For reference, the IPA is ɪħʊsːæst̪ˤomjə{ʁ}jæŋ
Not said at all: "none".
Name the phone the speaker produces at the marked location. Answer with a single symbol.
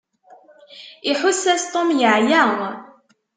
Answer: ʕ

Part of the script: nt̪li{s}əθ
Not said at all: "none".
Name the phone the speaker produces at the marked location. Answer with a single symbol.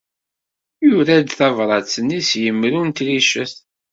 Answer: ʃ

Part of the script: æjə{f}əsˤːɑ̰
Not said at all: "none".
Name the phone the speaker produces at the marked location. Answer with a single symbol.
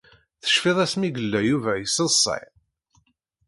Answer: s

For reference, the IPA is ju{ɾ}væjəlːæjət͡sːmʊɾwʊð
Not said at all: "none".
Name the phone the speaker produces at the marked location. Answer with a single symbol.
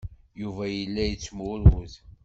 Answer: none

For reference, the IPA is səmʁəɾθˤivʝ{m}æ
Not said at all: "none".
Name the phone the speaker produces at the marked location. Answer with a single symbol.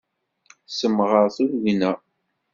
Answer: n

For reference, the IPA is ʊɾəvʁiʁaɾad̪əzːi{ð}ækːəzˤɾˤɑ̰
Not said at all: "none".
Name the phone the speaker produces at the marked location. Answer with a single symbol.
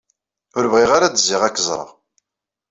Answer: ʁ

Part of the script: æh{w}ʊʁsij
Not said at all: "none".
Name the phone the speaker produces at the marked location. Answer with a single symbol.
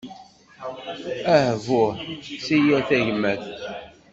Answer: v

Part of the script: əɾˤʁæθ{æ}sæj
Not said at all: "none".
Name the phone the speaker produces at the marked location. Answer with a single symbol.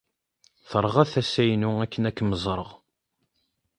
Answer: æ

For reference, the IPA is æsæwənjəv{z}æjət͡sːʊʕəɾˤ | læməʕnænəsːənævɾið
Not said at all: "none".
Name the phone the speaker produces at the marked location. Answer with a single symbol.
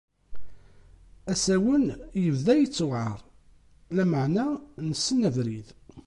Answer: ð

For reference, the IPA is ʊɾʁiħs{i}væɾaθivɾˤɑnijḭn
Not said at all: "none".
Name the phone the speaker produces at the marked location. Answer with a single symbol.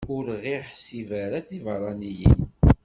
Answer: i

